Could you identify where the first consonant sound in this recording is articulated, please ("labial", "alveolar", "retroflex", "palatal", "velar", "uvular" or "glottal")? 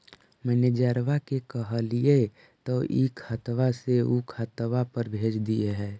labial